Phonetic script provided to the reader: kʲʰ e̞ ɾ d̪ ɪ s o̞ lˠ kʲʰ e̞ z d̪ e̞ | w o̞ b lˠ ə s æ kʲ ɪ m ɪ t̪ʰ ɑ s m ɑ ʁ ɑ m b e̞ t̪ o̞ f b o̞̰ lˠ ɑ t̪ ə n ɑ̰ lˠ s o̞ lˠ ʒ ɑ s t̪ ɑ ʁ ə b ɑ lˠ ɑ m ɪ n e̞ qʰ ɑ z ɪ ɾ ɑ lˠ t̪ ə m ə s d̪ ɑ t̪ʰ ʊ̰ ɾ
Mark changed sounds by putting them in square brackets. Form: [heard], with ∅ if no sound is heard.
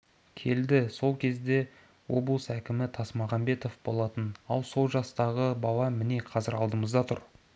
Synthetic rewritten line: kʲʰ e̞ [l] d̪ ɪ s o̞ lˠ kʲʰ e̞ z d̪ e̞ | w o̞ b lˠ ə s æ kʲ ɪ m ɪ t̪ʰ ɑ s m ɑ ʁ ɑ m b e̞ t̪ o̞ f b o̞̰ lˠ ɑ t̪ ə n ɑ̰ lˠ s o̞ lˠ ʒ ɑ s t̪ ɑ ʁ ə b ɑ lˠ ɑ m ɪ n e̞ qʰ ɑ z ɪ ɾ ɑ lˠ [d̪] ə m ə [z] d̪ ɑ t̪ʰ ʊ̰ ɾ